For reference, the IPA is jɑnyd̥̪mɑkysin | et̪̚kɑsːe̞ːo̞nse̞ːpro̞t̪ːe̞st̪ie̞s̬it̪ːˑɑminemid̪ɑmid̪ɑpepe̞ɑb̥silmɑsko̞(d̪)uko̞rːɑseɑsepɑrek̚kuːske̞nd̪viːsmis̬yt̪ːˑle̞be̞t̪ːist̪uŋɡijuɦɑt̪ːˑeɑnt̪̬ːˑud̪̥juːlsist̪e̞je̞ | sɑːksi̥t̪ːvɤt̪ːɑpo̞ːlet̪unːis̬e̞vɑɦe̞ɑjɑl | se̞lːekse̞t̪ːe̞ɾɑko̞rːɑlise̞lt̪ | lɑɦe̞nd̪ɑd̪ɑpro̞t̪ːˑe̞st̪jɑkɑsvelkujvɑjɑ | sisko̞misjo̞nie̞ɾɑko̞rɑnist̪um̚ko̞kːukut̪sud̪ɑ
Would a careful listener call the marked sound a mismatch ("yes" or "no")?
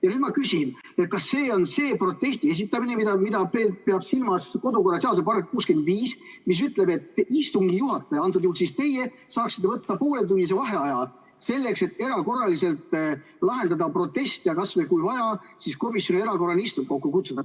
no